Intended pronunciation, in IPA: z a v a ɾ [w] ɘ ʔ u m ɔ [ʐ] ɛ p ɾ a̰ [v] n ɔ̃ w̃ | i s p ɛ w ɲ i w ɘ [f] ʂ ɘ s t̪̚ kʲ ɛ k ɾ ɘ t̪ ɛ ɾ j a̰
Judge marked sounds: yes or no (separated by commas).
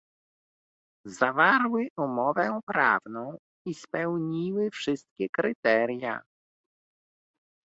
yes, no, yes, yes